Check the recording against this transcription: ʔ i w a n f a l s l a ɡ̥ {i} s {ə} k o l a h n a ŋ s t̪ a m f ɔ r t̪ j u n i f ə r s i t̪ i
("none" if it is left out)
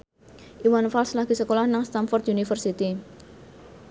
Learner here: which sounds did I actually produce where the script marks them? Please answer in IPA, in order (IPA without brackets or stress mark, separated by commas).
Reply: i, ə